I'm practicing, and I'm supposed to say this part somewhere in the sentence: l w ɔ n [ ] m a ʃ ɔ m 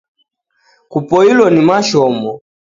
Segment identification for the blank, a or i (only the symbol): i